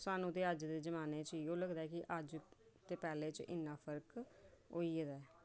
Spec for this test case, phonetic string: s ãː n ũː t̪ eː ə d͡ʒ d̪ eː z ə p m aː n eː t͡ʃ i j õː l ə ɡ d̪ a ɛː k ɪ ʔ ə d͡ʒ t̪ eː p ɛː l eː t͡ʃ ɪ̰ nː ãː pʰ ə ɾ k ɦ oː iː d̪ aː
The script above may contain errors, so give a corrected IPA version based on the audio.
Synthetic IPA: s aː n ũː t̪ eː ə d͡ʒ d̪ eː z ə m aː n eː t͡ʃ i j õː l ə ɡ d̪ a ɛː k ɪ ʔ ə d͡ʒ t̪ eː p ɛː l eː t͡ʃ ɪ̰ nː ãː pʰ ə ɾ k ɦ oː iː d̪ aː